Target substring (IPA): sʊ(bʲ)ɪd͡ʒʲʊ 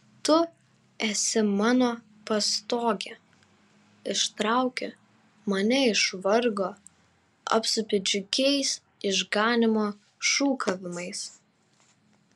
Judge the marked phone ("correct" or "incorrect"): incorrect